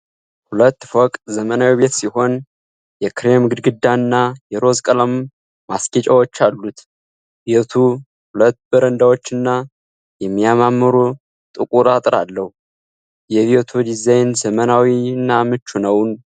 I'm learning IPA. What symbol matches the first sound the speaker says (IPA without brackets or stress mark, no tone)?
h